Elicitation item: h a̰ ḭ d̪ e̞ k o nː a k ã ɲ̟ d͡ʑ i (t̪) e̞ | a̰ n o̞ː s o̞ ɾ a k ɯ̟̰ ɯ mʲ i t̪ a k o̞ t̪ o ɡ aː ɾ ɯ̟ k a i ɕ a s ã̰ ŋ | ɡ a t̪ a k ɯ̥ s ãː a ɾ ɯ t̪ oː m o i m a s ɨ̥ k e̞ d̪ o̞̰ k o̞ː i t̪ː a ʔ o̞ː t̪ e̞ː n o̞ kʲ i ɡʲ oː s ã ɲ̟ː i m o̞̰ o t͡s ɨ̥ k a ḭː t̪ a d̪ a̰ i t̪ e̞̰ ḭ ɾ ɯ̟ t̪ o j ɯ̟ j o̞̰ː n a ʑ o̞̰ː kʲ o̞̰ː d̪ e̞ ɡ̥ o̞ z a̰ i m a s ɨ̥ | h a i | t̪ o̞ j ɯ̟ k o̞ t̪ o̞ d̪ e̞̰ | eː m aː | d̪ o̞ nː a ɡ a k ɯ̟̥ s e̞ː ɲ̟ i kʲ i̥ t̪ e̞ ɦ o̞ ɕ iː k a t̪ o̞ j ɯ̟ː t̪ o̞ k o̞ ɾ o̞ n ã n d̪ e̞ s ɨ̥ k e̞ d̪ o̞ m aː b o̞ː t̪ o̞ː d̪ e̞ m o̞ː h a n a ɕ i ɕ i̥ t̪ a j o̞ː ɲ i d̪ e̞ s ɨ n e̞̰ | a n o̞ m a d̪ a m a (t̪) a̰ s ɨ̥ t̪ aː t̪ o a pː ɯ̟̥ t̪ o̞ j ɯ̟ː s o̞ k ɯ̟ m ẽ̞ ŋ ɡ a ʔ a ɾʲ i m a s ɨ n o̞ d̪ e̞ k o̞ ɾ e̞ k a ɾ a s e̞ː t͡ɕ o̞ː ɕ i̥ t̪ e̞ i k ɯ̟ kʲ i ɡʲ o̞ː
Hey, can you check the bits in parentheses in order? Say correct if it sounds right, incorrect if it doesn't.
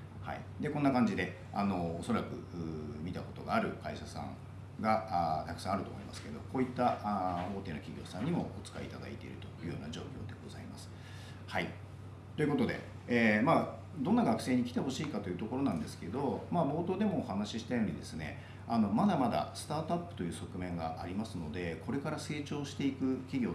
incorrect: d̪, incorrect: d̪

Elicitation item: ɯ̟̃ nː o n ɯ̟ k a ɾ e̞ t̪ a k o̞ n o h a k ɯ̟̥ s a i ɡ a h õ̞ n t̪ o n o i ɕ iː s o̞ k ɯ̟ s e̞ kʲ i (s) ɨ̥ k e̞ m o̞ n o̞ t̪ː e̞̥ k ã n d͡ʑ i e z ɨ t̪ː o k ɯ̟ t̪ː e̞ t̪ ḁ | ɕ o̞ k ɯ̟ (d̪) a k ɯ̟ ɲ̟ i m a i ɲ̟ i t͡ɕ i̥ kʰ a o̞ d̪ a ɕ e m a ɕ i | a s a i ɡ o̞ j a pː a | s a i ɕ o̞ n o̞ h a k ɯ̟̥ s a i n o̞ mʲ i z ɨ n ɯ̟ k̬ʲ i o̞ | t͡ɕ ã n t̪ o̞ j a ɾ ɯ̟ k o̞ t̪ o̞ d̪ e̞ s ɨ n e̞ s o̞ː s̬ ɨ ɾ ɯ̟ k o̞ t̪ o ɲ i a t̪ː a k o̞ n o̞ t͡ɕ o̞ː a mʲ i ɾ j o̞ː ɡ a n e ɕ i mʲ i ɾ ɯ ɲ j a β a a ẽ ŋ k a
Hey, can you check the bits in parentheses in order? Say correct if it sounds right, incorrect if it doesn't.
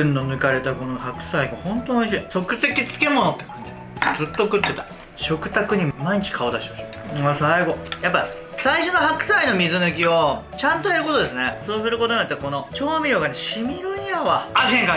incorrect: t͡s, incorrect: t̪

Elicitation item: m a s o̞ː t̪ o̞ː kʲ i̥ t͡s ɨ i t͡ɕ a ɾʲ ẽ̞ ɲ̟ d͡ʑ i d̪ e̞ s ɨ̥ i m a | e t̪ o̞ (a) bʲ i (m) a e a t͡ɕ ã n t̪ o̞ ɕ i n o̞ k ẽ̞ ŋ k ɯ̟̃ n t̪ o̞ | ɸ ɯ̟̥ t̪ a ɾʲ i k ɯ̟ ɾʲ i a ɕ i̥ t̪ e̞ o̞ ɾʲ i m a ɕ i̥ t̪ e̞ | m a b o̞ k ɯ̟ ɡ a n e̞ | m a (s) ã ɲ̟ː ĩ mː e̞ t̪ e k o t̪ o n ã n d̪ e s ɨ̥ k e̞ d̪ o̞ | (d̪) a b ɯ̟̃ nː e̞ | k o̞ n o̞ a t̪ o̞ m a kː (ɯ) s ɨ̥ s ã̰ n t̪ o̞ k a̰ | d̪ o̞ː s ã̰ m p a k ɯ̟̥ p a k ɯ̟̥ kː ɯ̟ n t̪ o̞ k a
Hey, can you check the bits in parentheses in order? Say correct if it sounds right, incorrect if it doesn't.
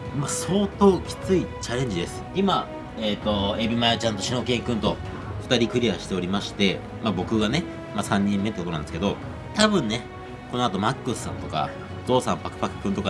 incorrect: e, correct, correct, incorrect: t̪, correct

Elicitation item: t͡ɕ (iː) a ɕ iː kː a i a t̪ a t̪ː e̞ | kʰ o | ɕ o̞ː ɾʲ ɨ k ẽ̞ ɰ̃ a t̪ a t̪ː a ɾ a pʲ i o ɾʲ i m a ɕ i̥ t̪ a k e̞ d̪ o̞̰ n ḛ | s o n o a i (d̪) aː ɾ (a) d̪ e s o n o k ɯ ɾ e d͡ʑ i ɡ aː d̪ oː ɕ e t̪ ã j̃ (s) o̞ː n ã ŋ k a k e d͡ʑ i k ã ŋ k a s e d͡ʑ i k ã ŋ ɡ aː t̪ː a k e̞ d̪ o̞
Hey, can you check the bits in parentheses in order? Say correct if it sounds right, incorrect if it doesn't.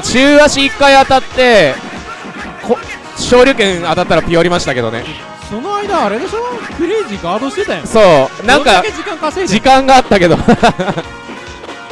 incorrect: ɨː, correct, incorrect: e, correct

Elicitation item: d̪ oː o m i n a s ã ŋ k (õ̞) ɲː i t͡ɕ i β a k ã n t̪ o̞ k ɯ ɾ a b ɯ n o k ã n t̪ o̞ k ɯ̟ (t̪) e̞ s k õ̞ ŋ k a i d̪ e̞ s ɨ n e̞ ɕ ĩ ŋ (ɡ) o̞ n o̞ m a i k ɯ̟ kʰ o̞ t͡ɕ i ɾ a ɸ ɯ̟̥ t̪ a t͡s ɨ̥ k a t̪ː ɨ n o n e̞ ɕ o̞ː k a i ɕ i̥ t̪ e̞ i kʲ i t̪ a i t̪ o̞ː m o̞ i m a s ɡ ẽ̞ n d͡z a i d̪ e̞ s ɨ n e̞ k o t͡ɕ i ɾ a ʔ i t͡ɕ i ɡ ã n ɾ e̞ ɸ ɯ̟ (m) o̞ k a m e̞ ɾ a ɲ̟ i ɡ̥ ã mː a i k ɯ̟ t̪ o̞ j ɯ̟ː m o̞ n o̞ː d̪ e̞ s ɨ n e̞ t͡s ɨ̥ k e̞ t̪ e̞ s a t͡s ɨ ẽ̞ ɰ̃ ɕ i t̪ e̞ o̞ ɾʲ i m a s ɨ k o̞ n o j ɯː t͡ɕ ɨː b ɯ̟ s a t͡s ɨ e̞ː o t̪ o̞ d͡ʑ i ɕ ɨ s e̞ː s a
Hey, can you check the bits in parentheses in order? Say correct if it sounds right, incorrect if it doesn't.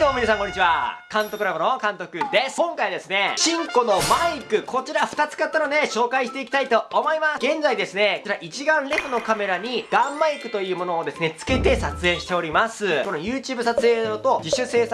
incorrect: o̞, incorrect: d̪, incorrect: k, incorrect: n

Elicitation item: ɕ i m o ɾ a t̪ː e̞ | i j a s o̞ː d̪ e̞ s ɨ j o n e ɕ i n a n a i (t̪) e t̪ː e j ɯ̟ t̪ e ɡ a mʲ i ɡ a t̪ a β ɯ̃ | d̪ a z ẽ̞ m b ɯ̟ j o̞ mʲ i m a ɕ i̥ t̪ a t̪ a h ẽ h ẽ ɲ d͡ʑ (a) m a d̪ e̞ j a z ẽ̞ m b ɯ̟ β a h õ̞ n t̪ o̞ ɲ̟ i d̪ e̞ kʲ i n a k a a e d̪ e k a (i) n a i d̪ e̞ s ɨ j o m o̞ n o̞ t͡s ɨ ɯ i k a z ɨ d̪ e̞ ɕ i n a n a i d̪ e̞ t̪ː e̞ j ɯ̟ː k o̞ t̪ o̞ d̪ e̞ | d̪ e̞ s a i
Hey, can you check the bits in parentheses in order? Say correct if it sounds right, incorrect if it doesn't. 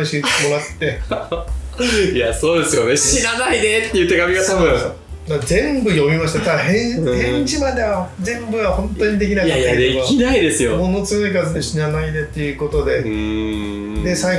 incorrect: d̪, incorrect: i, correct

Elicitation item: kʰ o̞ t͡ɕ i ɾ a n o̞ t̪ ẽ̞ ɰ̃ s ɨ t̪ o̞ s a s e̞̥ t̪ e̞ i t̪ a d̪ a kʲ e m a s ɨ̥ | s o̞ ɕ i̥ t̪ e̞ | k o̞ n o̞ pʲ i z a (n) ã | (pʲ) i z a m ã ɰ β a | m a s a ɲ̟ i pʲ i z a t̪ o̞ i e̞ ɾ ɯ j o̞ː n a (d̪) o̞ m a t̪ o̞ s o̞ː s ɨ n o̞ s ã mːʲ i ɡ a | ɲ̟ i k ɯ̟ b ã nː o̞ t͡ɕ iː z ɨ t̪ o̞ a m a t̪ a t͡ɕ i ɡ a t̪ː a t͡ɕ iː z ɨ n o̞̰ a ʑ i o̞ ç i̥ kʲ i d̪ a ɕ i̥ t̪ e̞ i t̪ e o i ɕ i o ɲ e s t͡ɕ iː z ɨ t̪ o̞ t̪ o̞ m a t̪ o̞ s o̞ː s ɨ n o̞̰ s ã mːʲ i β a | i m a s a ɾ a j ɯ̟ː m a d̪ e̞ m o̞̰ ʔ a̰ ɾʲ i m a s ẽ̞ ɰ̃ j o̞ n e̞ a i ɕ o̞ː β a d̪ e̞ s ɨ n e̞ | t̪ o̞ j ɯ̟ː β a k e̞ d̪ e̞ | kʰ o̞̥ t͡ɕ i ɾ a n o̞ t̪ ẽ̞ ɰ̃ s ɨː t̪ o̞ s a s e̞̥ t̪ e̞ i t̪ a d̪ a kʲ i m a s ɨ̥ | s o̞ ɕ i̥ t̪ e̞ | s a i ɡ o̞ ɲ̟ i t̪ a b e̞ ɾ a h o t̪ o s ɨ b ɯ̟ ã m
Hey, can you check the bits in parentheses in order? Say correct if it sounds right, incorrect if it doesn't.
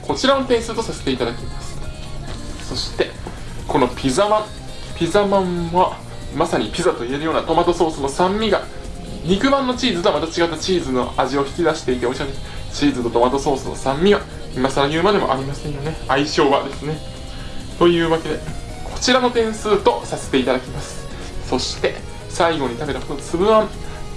incorrect: m, correct, incorrect: t̪

